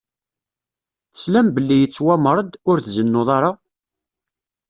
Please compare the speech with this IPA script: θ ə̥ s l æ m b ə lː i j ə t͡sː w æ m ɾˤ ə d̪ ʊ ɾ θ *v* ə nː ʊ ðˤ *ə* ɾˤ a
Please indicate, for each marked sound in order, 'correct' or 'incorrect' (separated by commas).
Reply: incorrect, incorrect